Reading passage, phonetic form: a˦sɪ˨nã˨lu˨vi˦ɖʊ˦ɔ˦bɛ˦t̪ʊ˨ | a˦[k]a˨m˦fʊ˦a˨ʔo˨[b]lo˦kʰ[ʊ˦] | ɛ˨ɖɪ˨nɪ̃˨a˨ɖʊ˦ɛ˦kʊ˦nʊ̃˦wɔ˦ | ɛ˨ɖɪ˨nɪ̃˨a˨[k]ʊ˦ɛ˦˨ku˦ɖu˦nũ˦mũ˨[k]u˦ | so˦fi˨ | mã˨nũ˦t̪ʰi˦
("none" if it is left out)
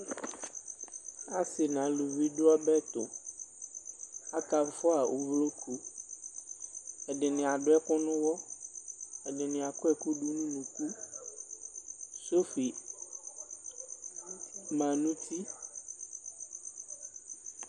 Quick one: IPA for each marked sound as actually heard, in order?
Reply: k, v, u˦, k, k

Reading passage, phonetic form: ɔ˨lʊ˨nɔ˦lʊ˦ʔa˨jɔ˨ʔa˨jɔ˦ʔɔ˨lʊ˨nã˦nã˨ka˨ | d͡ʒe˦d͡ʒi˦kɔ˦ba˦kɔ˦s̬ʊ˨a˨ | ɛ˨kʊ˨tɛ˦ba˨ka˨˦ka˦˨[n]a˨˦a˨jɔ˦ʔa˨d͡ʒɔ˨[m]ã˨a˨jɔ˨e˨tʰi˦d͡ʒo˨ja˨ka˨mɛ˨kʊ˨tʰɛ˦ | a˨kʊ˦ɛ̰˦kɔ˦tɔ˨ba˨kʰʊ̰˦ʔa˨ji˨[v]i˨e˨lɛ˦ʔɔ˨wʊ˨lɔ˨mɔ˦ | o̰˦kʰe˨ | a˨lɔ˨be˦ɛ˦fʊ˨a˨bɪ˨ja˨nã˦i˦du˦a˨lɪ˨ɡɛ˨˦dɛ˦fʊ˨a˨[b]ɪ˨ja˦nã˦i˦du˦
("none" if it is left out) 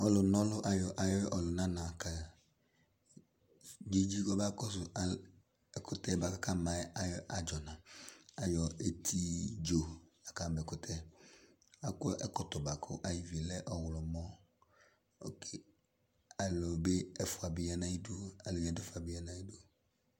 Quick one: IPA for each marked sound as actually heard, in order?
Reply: m, n, v, b

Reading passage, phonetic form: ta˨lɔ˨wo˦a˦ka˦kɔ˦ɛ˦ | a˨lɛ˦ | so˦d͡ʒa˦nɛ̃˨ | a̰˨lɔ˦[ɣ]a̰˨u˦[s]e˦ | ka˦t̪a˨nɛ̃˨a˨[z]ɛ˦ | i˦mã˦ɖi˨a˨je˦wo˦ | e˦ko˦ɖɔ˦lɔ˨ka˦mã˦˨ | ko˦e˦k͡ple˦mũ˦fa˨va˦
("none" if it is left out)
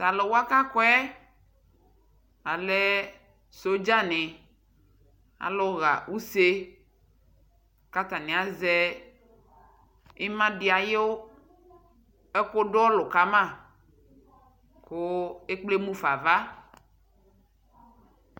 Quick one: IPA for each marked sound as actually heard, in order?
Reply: ɣ, s, z

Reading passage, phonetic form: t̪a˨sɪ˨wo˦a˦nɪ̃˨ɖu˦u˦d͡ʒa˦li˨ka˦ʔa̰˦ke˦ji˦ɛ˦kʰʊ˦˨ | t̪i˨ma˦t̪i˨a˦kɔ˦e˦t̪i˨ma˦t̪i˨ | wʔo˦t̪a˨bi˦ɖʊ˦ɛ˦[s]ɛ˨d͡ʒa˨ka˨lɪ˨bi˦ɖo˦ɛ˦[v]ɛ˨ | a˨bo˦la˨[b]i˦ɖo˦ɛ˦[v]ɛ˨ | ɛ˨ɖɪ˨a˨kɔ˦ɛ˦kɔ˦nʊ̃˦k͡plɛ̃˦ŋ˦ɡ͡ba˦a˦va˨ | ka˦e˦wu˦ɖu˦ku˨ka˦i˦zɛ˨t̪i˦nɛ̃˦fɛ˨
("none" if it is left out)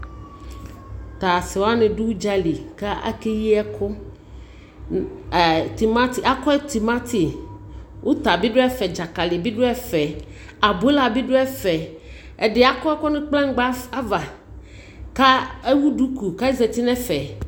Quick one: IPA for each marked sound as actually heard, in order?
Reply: f, f, b, f

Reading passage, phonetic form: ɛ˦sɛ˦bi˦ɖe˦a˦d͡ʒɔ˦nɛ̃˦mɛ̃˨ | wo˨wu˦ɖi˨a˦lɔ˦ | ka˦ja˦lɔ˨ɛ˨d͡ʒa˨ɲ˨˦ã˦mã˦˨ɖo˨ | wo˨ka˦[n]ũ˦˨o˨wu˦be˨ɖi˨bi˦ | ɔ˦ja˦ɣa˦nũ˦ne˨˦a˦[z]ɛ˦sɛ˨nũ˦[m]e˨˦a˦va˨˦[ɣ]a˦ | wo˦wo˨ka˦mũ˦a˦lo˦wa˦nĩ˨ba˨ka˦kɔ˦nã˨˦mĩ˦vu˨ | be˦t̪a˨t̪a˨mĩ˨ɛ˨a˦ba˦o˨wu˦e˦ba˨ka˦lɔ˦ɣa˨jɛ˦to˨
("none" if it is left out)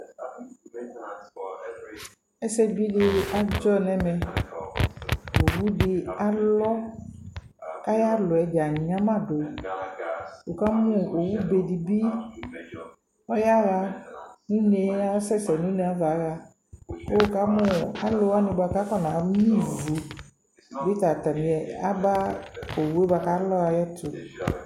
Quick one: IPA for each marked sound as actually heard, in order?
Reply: m, s, n, ɣ

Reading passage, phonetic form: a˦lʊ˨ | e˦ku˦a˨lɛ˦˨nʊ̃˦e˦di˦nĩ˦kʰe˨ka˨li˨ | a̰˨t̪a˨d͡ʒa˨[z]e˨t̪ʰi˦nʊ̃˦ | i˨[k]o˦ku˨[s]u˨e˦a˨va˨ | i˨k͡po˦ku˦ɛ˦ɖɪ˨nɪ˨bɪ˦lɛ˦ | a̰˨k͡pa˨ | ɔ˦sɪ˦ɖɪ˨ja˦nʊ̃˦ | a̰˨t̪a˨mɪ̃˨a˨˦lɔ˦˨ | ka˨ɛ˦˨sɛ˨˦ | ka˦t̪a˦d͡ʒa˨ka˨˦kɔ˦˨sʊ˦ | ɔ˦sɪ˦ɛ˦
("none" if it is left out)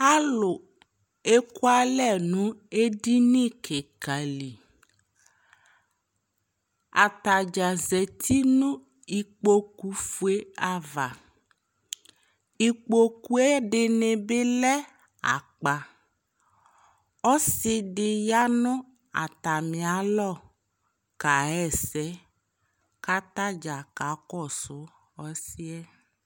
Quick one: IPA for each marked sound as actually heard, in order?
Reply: z, k͡p, f

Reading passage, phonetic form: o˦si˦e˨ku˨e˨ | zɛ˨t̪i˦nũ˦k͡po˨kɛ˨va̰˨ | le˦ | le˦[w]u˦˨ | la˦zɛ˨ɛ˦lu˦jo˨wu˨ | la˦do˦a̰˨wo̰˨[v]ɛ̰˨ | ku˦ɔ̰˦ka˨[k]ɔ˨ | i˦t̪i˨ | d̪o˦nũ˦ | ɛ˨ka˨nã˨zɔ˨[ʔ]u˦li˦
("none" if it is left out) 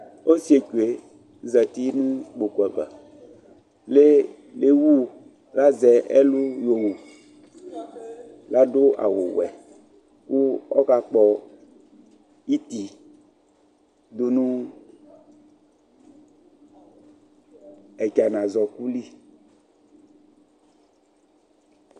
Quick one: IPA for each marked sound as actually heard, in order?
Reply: w, w, k͡p, k

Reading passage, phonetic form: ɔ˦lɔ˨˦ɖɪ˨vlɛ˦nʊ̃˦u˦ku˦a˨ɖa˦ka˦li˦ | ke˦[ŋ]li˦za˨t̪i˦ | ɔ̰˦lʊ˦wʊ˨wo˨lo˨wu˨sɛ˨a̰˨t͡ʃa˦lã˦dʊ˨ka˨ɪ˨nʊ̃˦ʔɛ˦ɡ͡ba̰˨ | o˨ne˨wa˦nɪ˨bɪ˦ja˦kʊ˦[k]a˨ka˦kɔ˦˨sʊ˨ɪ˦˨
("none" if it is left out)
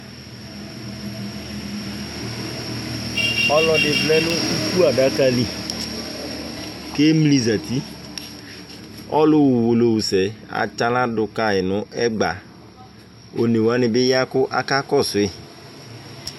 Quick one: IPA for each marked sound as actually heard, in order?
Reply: m, ʔ

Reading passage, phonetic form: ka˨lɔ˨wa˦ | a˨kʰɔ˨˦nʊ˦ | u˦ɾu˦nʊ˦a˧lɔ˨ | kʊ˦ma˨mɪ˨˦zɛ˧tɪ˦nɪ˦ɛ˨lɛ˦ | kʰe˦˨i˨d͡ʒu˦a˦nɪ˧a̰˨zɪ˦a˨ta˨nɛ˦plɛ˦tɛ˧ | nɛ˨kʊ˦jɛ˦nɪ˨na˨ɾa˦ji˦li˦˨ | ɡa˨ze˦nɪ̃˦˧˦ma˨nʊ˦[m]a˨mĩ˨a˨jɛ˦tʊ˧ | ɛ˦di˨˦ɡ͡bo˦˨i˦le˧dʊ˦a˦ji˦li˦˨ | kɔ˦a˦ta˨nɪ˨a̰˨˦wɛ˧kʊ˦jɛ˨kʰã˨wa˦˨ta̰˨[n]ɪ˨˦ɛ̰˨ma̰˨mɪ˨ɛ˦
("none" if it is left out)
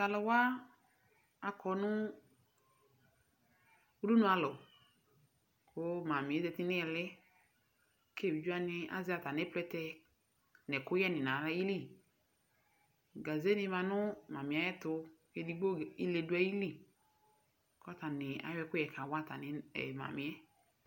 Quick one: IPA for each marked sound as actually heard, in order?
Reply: m, n

